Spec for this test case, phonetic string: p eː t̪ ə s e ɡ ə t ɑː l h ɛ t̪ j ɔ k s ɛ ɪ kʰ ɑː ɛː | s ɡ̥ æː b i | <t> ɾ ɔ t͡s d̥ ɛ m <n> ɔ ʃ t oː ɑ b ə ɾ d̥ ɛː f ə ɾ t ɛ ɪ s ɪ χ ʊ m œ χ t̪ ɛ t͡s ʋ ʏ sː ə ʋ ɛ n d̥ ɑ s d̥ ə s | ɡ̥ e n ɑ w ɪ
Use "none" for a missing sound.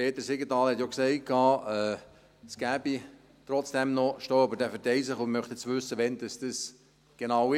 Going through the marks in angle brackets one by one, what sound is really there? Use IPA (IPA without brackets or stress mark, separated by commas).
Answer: t, n